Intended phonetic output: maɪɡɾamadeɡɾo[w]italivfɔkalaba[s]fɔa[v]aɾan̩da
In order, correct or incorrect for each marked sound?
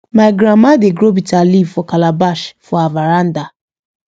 incorrect: b, incorrect: ʃ, correct

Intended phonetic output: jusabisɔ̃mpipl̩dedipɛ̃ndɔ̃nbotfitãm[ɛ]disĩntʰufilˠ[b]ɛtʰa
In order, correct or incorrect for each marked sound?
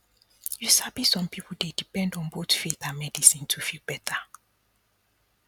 correct, correct

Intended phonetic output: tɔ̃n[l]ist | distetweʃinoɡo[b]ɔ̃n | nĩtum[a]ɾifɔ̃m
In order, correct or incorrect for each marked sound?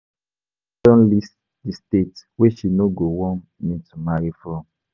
correct, incorrect: w, correct

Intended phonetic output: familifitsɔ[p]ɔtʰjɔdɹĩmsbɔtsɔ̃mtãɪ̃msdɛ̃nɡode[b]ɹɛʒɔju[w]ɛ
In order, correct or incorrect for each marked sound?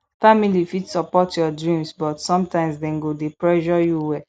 correct, incorrect: p, correct

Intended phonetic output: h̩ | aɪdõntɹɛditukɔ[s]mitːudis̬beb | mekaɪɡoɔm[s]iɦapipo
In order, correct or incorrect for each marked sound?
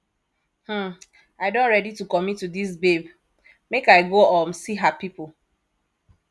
incorrect: none, correct

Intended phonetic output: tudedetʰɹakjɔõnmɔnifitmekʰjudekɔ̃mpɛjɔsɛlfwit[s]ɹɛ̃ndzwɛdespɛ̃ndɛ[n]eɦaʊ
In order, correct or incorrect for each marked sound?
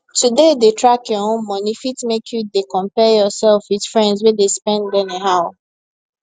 incorrect: f, correct

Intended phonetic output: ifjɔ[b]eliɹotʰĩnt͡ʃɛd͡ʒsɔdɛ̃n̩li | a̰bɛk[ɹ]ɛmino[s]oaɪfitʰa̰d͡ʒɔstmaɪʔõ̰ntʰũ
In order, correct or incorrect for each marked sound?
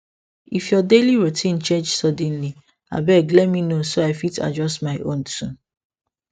incorrect: d, incorrect: l, correct

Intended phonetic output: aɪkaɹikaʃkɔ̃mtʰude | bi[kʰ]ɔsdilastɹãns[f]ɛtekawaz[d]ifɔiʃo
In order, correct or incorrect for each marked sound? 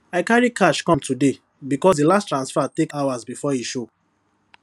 incorrect: k, correct, incorrect: b

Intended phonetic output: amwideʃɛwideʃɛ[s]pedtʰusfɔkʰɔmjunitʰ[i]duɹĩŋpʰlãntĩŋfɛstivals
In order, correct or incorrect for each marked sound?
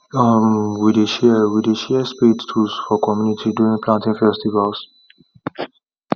correct, correct

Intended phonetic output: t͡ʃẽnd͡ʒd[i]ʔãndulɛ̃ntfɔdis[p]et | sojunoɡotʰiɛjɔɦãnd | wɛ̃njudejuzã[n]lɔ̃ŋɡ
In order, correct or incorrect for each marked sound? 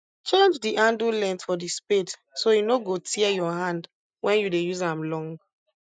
correct, correct, incorrect: m

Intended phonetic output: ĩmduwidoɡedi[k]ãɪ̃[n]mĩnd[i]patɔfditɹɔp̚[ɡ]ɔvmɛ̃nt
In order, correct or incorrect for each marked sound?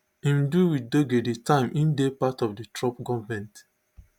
incorrect: t, incorrect: none, incorrect: e, correct

